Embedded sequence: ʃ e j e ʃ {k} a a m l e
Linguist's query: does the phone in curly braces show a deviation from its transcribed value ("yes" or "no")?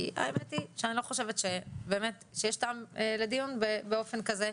yes